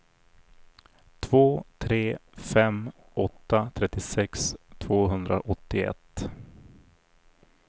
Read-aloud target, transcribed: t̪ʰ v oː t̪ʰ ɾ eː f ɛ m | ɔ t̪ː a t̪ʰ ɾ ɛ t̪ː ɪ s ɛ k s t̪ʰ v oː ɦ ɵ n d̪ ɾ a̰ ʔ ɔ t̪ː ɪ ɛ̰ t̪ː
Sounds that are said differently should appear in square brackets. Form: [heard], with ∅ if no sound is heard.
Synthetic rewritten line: t̪ʰ v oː t̪ʰ ɾ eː f ɛ m | ɔ t̪ː a t̪ʰ ɾ ɛ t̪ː ɪ s ɛ k s t̪ʰ v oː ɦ ɵ n d̪ ɾ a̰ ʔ ɔ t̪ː ɪ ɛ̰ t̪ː